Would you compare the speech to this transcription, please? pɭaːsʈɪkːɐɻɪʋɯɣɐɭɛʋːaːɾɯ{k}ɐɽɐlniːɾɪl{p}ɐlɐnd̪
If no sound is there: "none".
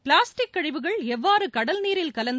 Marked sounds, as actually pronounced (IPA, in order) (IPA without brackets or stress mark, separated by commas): k, k